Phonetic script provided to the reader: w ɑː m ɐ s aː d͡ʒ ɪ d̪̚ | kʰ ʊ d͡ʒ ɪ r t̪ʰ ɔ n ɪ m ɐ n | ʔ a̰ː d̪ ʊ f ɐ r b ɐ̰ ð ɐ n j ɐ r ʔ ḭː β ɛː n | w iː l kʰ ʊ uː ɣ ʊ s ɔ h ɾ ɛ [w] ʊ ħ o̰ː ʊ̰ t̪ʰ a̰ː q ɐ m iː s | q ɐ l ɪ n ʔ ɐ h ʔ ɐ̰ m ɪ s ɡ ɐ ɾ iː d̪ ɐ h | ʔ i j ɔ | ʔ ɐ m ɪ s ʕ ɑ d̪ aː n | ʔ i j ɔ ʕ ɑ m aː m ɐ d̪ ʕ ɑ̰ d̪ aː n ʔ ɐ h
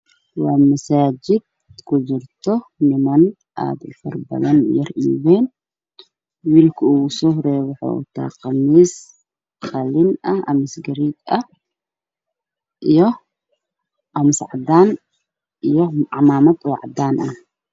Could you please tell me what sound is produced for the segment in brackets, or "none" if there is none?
w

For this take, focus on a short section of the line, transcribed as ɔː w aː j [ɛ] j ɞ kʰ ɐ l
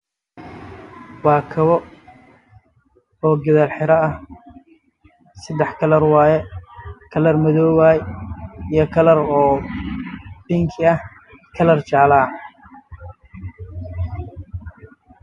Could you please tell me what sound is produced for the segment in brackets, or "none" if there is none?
i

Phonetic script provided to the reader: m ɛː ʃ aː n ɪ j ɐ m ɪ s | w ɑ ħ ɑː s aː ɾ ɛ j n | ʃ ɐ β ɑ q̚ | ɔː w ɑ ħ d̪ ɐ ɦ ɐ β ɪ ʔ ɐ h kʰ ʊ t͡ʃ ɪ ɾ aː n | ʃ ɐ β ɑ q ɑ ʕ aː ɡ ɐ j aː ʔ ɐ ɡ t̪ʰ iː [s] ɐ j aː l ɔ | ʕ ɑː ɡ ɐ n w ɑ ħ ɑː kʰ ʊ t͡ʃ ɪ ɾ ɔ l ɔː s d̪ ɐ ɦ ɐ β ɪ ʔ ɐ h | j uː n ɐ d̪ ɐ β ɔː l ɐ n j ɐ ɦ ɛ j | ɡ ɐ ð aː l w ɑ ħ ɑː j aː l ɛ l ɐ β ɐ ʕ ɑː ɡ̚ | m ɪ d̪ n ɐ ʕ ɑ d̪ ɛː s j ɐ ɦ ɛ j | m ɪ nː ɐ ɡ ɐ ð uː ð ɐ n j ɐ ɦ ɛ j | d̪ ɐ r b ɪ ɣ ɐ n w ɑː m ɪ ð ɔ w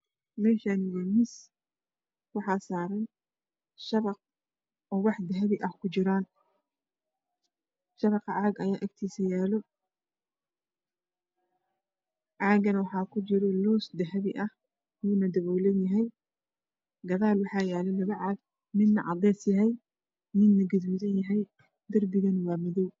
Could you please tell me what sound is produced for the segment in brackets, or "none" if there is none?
s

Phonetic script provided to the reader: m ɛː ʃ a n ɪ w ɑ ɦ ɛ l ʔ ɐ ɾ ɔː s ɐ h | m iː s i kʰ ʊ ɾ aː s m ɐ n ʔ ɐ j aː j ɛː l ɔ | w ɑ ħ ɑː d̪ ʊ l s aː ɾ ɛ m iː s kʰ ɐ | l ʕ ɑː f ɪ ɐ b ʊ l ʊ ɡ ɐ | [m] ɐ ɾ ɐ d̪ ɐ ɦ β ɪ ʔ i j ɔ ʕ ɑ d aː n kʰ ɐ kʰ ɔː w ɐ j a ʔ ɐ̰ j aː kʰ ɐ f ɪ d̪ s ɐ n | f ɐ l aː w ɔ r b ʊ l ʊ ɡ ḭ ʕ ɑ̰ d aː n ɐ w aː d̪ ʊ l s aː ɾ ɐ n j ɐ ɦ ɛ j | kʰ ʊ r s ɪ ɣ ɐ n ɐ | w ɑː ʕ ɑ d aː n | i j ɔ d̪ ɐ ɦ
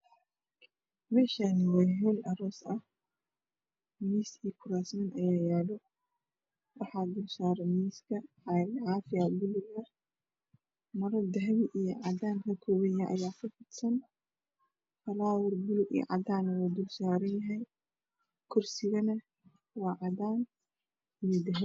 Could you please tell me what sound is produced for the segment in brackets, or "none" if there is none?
m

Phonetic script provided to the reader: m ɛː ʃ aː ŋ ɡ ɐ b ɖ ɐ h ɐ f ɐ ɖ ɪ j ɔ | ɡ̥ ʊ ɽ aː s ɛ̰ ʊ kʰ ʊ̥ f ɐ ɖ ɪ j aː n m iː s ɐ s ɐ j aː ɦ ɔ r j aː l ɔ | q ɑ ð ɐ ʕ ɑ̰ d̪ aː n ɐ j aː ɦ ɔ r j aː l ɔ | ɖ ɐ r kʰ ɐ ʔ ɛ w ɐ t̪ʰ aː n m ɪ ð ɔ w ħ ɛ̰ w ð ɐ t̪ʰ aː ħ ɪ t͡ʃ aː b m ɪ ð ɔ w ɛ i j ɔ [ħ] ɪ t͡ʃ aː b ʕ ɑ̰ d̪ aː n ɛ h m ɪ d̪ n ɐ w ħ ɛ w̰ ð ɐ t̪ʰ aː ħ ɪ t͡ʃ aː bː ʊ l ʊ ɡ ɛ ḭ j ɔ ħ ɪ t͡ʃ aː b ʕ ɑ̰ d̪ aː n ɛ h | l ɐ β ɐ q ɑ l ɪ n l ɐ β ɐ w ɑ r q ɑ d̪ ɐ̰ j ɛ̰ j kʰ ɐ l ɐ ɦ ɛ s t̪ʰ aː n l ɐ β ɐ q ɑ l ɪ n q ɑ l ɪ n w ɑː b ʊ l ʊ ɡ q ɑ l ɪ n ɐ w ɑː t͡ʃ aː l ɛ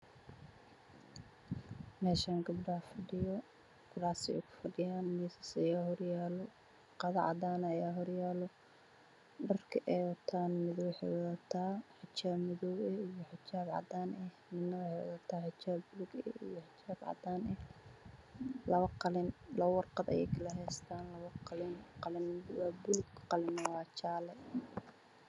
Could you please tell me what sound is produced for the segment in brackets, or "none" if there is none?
ħ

